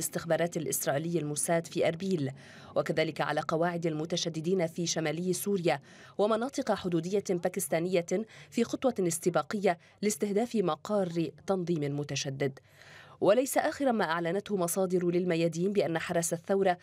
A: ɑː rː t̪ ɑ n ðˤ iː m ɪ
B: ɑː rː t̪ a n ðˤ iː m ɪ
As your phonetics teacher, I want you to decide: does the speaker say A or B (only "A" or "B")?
A